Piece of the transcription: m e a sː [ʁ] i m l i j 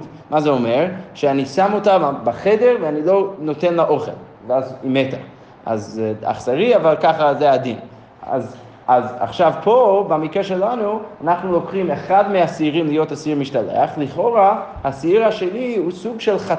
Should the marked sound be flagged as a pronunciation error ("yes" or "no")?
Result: no